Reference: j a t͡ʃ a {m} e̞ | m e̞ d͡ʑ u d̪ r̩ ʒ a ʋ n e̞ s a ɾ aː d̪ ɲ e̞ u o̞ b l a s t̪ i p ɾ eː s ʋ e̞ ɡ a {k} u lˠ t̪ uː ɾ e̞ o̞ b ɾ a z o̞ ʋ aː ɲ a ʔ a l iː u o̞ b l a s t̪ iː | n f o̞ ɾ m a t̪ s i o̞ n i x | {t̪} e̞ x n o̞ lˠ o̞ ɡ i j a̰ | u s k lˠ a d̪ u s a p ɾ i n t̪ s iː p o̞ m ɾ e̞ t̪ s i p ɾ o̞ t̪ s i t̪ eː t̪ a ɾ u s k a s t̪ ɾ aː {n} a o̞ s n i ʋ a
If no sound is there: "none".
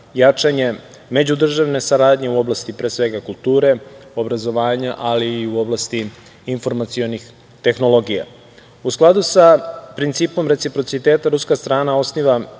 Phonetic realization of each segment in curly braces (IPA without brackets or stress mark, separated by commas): ɲ, k, t̪, n